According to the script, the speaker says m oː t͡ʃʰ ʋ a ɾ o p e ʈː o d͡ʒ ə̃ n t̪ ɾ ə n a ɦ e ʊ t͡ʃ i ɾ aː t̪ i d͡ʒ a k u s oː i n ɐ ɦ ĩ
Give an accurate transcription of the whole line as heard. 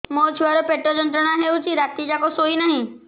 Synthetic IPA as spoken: m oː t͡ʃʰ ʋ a ɾ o p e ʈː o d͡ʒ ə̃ n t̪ ɾ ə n a ɦ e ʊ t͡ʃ i ɾ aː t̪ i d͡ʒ a k o s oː i n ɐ ɦ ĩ